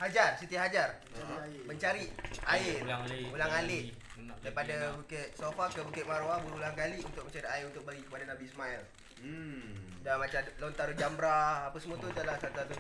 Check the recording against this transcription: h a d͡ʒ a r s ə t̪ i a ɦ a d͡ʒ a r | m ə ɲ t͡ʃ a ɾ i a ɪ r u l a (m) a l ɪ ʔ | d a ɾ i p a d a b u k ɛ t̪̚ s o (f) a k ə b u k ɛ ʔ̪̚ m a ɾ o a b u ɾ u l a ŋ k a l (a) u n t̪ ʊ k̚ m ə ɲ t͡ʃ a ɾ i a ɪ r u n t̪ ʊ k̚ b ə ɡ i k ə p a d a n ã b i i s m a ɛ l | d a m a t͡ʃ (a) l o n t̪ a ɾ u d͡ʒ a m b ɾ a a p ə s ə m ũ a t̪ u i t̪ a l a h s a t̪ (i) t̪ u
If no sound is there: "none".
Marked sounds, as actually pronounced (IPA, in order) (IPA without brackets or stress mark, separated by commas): ŋ, f, i, a, a